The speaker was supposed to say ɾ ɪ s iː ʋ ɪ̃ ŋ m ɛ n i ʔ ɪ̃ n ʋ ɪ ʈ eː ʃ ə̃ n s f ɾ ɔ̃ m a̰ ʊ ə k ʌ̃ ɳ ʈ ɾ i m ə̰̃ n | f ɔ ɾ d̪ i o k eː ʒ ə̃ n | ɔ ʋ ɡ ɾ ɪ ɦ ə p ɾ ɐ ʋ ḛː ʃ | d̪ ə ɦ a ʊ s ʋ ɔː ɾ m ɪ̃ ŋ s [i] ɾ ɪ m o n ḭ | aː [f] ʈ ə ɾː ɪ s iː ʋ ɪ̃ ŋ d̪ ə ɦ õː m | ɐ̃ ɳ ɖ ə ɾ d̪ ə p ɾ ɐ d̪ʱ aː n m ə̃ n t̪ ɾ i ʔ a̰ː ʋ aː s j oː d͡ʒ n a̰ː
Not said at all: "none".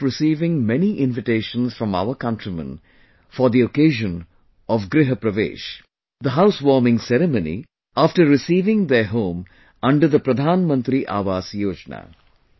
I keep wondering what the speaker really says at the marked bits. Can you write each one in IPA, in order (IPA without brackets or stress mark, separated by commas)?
ɛ, f